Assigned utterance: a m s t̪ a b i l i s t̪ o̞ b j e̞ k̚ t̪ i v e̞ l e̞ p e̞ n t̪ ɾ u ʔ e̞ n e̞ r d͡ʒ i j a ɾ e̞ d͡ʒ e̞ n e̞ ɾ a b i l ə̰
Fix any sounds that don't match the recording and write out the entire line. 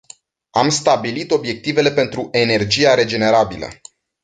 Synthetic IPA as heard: a m s t̪ a b i l i t̪ o̞ b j e̞ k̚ t̪ i v e̞ l e̞ p e̞ n t̪ ɾ u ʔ e̞ n e̞ r d͡ʒ i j a ɾ e̞ d͡ʒ e̞ n e̞ ɾ a b i l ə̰